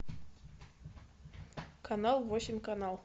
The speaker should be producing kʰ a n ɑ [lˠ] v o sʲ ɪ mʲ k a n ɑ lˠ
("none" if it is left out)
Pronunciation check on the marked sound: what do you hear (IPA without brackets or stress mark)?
lˠ